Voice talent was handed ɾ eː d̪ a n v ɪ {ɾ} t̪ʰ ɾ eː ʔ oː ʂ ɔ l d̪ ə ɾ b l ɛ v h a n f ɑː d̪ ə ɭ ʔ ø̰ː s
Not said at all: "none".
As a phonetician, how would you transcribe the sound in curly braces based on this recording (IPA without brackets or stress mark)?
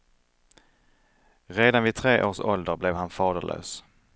none